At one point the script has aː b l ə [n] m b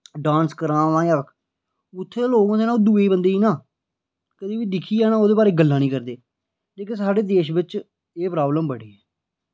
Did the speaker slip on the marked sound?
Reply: yes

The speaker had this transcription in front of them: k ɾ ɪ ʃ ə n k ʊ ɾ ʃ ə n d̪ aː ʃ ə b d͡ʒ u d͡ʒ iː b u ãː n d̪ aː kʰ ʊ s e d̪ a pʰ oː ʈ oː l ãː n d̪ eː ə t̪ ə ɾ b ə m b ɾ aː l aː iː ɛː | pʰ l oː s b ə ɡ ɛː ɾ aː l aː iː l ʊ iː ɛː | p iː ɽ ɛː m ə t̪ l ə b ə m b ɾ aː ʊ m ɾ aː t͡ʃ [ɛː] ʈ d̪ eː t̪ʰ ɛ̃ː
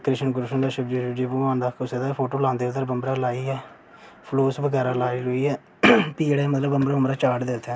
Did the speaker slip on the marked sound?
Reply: yes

